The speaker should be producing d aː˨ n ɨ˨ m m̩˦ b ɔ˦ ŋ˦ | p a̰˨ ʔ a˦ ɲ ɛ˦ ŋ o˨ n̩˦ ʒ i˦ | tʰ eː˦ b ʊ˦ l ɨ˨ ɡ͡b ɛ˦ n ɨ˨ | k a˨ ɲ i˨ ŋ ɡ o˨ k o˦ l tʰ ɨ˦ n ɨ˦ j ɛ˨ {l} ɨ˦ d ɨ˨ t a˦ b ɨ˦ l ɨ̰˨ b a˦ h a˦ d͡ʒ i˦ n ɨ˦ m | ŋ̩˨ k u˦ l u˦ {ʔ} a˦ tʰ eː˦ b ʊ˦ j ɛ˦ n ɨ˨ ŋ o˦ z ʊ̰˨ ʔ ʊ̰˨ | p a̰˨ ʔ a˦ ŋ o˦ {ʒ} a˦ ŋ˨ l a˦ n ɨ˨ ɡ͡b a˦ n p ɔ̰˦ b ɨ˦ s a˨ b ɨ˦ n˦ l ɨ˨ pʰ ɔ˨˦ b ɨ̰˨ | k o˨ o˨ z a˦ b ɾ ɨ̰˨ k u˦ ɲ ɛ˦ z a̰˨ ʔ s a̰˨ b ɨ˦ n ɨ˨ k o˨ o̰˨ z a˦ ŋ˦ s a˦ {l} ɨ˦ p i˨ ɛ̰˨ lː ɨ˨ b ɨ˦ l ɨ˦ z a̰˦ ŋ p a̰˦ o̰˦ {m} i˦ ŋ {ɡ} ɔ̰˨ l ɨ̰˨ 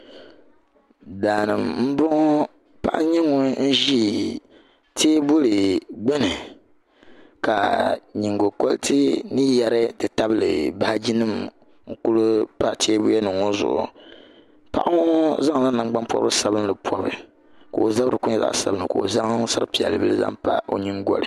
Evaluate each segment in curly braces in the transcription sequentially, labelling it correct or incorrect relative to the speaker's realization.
incorrect: ɾ, incorrect: p, incorrect: z, incorrect: ɾ, incorrect: ɲ, correct

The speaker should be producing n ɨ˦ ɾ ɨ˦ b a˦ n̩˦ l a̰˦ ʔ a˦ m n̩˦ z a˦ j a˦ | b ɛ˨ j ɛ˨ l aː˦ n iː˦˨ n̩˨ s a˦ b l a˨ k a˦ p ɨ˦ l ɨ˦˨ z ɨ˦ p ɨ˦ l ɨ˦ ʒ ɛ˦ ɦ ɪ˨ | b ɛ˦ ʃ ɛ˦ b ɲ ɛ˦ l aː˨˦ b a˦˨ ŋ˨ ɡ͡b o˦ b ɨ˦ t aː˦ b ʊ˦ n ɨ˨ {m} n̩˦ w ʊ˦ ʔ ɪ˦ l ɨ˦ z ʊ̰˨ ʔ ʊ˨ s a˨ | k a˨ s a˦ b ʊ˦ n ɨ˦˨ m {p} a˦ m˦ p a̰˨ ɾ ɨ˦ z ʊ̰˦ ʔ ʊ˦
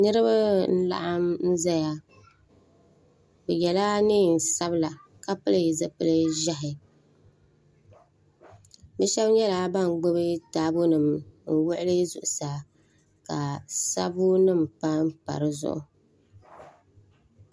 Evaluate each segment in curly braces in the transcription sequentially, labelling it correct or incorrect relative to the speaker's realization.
correct, correct

